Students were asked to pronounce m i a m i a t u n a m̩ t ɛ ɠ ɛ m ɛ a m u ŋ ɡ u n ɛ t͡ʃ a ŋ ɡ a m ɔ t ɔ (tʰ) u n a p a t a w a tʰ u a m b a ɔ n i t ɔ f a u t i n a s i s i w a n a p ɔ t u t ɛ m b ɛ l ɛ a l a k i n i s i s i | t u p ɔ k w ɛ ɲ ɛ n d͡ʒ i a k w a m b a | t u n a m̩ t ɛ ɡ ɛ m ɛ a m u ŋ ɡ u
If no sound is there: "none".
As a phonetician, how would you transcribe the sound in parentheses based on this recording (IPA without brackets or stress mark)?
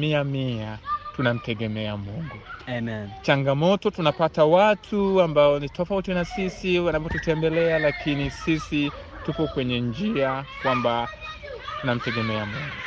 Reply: t